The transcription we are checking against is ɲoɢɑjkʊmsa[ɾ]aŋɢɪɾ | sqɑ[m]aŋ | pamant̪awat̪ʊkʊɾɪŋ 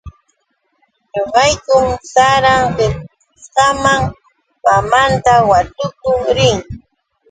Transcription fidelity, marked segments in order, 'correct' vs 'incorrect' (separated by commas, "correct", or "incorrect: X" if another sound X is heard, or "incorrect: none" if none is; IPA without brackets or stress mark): correct, correct